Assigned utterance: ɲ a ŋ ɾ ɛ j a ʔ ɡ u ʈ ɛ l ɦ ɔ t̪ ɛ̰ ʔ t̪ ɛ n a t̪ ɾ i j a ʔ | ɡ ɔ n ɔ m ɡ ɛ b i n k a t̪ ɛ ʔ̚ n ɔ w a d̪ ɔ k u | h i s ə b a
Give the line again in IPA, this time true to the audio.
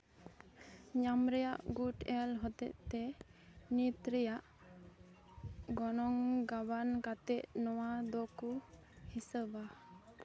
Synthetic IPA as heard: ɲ a m ɾ ɛ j a ʔ ɡ u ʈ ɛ l ɦ ɔ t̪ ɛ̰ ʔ t̪ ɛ n i t̪ ɾ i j a ʔ | ɡ ɔ n ɔ ŋ ɡ a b a n k a t̪ ɛ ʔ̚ n ɔ w a d̪ ɔ k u | h i s ə b a